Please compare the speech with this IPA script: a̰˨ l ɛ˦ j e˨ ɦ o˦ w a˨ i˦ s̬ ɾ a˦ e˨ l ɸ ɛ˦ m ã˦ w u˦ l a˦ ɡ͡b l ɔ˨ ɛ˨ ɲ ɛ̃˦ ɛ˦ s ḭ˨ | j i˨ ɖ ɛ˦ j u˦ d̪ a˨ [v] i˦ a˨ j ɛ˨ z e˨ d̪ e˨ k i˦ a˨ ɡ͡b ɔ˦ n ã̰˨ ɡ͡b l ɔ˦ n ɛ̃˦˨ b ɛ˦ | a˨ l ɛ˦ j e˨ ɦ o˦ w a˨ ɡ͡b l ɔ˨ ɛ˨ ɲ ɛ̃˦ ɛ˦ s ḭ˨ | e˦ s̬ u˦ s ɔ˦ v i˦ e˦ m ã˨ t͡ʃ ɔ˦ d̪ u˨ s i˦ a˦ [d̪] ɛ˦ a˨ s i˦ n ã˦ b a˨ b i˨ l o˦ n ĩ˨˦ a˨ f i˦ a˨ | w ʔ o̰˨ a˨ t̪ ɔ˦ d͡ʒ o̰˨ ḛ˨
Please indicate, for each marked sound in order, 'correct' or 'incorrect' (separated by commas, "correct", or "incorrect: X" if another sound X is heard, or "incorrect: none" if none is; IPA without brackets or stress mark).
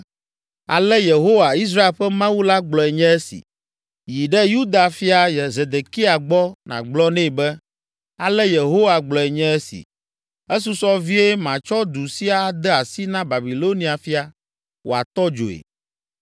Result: incorrect: f, correct